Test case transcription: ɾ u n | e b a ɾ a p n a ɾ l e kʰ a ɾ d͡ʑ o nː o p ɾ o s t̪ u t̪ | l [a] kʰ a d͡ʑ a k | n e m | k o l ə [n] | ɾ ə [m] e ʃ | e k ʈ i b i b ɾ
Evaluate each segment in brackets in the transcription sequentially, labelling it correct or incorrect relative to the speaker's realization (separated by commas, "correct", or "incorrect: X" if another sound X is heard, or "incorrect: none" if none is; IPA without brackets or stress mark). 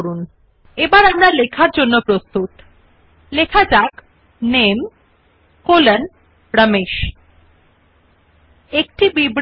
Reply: incorrect: e, correct, correct